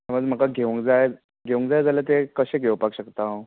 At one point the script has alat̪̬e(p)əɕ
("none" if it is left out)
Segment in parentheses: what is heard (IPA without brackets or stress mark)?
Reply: k